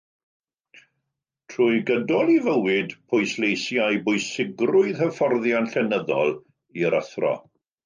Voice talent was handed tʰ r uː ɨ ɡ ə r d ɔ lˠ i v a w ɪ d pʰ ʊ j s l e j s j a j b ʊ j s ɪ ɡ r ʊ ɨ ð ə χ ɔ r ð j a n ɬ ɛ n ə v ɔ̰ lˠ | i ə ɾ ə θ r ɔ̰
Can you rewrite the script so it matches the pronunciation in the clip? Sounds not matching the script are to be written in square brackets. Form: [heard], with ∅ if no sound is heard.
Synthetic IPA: tʰ r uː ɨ ɡ ə [∅] d ɔ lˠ i v [ə] w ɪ d pʰ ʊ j s l e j s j a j b ʊ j s ɪ ɡ r ʊ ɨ ð ə [f] ɔ r ð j a n ɬ ɛ n ə [ð] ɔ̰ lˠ | i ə ɾ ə θ r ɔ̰